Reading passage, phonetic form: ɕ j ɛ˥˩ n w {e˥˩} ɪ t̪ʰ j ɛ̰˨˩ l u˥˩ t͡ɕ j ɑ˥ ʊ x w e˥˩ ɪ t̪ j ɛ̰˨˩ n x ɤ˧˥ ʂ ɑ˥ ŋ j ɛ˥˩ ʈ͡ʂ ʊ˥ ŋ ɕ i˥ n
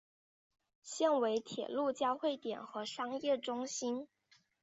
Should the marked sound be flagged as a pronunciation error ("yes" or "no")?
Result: yes